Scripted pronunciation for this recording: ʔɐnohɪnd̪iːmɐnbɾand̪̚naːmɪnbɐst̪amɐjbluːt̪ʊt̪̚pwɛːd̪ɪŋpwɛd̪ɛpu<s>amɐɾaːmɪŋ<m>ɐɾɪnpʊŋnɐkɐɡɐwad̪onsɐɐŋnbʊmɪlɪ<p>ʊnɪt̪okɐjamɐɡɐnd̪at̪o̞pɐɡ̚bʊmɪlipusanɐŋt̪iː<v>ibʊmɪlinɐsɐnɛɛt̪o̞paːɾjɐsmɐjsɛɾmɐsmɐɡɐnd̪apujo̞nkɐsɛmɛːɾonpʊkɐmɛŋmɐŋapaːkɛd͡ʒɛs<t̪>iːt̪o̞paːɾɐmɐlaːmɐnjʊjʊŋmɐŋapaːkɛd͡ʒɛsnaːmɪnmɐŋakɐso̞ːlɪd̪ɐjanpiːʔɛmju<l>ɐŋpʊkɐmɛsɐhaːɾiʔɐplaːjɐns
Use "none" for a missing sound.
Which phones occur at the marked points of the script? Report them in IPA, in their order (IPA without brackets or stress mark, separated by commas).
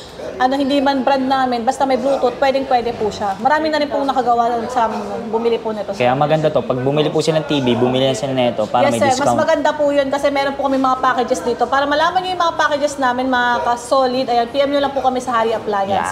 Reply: ʃ, n, p, b, d̪, l